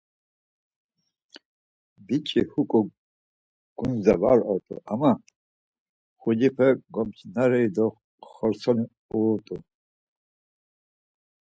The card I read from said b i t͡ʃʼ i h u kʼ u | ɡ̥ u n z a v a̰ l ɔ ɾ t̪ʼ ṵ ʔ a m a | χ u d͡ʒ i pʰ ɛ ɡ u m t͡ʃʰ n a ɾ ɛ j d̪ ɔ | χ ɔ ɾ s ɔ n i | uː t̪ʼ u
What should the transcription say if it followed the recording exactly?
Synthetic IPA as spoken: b i t͡ʃʼ i h u kʼ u | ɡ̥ u n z a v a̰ ɾ ɔ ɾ t̪ʼ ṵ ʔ a m a | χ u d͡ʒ i pʰ ɛ ɡ ɔ m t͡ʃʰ n a ɾ ɛ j d̪ ɔ | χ ɔ ɾ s ɔ n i | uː t̪ʼ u